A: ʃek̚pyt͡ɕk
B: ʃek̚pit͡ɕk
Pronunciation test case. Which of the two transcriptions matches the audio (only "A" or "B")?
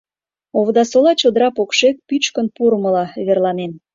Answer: A